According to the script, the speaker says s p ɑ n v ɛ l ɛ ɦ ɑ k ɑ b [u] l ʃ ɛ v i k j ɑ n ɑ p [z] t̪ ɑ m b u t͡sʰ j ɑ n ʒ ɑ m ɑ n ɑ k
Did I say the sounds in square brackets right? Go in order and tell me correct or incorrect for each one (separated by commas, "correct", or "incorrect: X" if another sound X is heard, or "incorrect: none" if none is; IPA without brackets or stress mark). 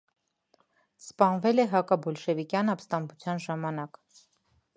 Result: incorrect: ɔ, incorrect: s